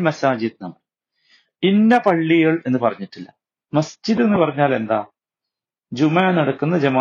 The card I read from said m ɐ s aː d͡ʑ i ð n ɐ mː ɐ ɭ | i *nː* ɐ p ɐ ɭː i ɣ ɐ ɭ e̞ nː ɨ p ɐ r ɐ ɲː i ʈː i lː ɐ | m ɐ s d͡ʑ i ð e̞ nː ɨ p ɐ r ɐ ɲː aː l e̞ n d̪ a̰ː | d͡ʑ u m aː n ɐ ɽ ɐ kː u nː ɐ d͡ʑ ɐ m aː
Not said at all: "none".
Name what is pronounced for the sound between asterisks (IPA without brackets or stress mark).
nː